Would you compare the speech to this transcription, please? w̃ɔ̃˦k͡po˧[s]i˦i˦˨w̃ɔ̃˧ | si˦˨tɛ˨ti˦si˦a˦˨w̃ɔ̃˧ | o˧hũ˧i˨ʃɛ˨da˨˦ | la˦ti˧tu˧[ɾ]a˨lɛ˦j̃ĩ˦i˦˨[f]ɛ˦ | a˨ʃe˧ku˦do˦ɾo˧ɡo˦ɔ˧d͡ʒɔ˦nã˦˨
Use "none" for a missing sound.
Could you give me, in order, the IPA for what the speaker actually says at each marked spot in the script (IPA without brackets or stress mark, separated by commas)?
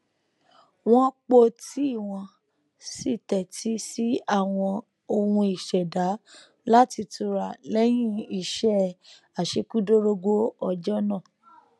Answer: t, ɾ, ʃ